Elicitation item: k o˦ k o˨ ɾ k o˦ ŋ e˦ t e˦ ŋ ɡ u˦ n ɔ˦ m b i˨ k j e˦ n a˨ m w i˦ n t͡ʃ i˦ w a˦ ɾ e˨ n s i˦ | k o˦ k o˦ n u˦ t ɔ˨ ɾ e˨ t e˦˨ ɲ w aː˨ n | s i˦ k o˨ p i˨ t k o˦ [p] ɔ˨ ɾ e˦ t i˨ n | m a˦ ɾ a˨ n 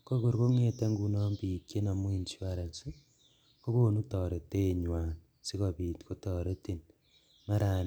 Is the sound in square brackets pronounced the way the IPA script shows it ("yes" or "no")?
no